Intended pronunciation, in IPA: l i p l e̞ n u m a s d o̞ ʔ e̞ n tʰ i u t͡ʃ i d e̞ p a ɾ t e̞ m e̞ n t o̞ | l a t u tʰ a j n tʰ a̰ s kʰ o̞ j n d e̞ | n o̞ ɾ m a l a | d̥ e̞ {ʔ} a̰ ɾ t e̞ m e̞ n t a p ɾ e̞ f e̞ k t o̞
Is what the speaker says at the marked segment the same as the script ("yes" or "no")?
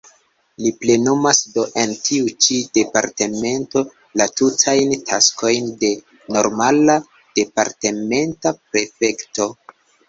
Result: no